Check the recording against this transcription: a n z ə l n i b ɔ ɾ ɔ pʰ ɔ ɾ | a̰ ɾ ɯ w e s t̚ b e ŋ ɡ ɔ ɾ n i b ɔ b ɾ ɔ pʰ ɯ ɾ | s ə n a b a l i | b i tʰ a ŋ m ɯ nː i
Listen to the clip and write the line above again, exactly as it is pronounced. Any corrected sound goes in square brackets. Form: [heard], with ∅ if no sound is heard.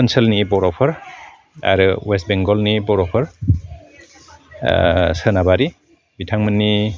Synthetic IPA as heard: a n [s] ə l n i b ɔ ɾ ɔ pʰ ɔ ɾ | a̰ ɾ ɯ w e s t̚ b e ŋ ɡ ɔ [l] n i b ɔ [∅] ɾ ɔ pʰ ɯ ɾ | s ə n a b a [ɾ] i | b i tʰ a ŋ m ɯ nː i

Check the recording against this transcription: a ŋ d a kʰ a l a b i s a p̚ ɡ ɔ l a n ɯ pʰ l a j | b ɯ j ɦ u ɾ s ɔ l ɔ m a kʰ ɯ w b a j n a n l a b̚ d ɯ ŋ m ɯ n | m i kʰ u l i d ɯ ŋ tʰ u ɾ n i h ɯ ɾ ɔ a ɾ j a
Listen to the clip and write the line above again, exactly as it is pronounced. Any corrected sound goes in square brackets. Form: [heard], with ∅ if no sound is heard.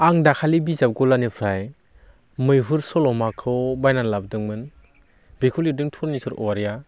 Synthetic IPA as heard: a ŋ d a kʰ a l [i] b i [z] a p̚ ɡ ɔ l a n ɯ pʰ [ɾ] a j | [m] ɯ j ɦ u ɾ s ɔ l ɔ m a kʰ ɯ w b a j n a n l a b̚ d ɯ ŋ m ɯ n | [b] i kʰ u l i d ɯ ŋ tʰ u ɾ n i [s] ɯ ɾ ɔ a ɾ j a

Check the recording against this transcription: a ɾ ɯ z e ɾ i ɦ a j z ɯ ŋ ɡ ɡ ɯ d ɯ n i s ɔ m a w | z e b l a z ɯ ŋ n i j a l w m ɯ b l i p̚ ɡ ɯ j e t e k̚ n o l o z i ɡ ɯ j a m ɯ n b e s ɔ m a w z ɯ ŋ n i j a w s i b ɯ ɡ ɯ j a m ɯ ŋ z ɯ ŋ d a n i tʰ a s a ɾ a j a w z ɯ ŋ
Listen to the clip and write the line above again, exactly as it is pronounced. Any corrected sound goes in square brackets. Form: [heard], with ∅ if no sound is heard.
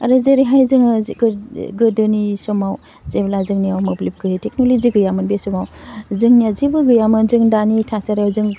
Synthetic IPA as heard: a ɾ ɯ z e ɾ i ɦ a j z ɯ ŋ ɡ ɡ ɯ d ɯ n i s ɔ m a w | z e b l a z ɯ ŋ n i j a [∅] w m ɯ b l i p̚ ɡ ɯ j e t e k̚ n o l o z i ɡ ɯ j a m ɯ n b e s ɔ m a w z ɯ ŋ n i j a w [z] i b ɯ ɡ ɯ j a m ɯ [n] z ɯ ŋ d a n i tʰ a s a ɾ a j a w z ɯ ŋ

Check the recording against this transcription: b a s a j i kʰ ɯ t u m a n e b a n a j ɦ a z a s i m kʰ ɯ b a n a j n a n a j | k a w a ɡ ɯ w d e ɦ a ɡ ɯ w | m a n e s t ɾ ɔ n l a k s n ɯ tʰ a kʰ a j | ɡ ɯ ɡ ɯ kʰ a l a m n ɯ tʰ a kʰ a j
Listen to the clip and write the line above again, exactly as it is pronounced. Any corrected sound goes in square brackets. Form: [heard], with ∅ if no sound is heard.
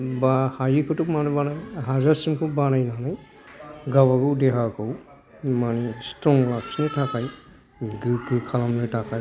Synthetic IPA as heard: b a [h] a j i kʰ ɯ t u m a n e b a n a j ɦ a z a s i m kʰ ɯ b a n a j n a n a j | [ɡ] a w a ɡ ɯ w d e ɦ a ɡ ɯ w | m a n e s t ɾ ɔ [ŋ] l a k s n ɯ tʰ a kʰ a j | ɡ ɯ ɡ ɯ kʰ a l a m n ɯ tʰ a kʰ a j

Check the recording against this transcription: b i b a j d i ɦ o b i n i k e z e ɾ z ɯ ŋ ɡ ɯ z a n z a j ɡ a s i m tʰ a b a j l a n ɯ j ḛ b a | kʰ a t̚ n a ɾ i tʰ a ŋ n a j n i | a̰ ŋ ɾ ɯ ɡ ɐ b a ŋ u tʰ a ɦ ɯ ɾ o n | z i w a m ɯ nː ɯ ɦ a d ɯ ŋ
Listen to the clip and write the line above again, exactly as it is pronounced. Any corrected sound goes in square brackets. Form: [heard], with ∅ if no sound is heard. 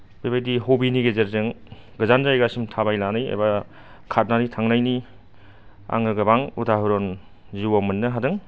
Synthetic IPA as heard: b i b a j d i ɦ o b i n i [ɡ] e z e ɾ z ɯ ŋ ɡ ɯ z a n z a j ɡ a s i m tʰ a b a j l a n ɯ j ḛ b a | kʰ a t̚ n a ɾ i tʰ a ŋ n a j n i | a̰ ŋ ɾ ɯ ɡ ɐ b a ŋ u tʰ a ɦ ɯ ɾ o n | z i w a m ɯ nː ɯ ɦ a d ɯ ŋ

